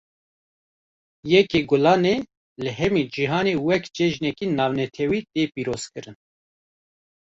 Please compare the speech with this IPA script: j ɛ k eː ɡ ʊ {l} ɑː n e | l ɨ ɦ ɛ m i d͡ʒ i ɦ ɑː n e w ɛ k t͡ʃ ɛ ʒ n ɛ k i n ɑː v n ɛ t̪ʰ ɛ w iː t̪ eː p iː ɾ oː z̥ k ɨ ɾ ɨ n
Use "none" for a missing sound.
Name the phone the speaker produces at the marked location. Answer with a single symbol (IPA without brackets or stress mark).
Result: l